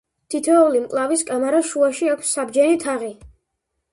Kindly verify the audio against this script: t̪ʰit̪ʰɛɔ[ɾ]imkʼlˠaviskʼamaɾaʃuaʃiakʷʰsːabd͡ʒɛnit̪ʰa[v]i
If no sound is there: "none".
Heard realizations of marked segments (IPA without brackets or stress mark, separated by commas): l, ʁ